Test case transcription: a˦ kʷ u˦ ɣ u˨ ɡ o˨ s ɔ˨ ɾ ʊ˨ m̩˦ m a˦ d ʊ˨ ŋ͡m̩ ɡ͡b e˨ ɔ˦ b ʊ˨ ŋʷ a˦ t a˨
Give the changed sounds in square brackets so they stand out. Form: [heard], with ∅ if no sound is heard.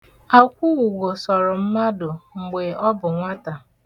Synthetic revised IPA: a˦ kʷ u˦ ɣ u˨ ɡ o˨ s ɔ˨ ɾ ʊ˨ m̩˦ m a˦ d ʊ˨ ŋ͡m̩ ɡ͡b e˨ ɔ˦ b ʊ˨ ŋʷ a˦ t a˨